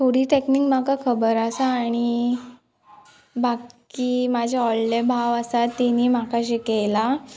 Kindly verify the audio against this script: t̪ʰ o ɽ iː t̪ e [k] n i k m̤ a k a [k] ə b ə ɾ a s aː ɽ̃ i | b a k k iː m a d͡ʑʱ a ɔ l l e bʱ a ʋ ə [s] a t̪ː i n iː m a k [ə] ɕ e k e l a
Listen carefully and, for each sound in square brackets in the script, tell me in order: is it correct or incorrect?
correct, incorrect: kʰ, correct, incorrect: a

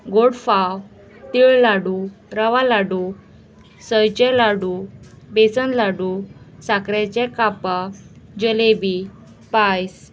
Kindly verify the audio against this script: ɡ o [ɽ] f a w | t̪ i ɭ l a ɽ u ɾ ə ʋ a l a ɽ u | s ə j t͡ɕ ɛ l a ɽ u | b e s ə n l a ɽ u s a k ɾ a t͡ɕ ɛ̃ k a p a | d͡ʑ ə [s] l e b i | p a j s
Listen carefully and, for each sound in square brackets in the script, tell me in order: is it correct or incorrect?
correct, incorrect: none

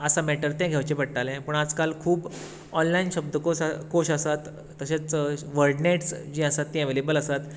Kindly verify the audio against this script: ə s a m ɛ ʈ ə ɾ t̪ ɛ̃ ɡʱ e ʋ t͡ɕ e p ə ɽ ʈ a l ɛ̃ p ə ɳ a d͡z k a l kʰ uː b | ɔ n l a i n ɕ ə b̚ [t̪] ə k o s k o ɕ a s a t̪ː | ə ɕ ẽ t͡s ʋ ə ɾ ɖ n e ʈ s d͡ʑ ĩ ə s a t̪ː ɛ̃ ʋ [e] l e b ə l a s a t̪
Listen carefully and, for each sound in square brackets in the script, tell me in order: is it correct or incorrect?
incorrect: d̪, correct

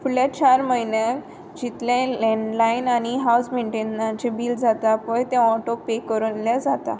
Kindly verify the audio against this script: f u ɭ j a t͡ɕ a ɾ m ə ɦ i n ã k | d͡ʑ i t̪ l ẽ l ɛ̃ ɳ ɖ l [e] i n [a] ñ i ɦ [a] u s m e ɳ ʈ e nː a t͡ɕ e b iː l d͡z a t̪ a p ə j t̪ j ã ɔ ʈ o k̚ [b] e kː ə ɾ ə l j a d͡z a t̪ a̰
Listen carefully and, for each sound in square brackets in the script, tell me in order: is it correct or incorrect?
incorrect: a, correct, correct, incorrect: p

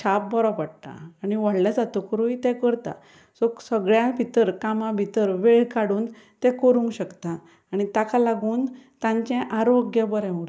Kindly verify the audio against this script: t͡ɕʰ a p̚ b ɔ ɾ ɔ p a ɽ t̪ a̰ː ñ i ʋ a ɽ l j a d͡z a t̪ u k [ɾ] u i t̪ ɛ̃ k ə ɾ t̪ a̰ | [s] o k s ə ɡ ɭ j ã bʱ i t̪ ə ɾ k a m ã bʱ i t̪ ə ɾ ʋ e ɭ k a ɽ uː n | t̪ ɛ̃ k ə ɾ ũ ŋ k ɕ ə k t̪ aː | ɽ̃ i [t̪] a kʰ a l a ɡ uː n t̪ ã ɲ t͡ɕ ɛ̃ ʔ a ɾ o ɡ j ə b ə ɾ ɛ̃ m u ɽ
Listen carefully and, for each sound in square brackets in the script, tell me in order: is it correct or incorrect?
correct, correct, correct

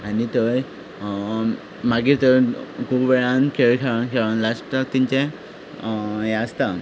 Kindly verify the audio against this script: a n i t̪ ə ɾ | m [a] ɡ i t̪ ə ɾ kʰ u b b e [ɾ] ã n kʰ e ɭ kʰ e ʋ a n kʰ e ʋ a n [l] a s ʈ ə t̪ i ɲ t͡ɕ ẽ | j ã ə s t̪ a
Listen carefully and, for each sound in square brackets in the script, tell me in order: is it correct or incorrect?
correct, incorrect: ɭ, correct

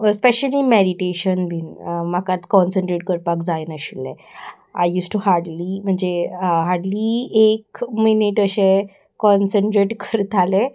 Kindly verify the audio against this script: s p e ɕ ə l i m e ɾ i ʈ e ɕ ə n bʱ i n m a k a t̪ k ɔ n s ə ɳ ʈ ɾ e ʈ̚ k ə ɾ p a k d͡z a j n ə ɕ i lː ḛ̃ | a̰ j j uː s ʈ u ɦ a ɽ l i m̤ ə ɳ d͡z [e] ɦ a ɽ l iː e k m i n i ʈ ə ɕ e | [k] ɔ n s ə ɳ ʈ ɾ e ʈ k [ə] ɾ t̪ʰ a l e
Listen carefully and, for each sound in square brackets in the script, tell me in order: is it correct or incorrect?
correct, correct, correct

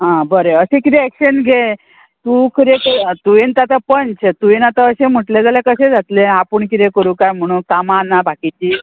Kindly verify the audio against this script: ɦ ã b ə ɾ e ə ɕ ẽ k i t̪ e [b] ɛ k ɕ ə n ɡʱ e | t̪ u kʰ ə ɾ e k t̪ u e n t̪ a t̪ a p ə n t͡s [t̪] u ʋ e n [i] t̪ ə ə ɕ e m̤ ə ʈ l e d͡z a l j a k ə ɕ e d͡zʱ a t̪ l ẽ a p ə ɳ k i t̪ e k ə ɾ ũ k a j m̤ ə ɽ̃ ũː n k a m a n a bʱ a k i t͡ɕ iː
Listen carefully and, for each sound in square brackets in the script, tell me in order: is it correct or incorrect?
incorrect: none, correct, incorrect: a

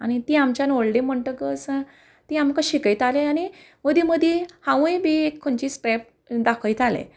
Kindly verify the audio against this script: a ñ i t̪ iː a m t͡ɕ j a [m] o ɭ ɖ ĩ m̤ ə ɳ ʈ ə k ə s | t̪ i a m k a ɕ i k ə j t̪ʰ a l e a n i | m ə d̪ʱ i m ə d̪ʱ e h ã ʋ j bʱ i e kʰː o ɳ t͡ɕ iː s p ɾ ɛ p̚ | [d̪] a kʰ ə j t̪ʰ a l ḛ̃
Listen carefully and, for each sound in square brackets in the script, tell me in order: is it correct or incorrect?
incorrect: n, correct

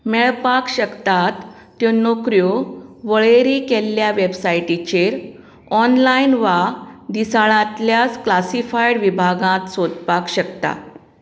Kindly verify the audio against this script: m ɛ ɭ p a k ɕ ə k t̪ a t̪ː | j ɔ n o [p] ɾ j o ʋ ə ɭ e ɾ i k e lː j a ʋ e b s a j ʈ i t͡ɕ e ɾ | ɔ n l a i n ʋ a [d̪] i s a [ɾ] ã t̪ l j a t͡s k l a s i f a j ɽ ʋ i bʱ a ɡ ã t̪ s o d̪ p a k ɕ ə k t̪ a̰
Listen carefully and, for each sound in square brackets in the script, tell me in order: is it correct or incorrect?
incorrect: k, correct, incorrect: ɭ

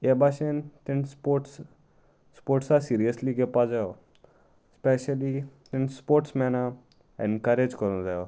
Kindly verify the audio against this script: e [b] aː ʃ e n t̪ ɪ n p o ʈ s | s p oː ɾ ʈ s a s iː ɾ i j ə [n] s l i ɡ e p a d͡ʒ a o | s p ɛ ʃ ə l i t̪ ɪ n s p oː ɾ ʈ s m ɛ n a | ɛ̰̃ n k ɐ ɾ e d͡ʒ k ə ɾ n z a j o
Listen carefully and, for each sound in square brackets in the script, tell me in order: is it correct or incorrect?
correct, incorrect: none

